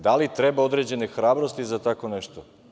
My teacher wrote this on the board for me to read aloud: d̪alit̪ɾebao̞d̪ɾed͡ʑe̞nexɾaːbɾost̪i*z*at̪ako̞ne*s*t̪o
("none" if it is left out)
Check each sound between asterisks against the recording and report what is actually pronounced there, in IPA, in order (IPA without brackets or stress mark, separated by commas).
z, ʃ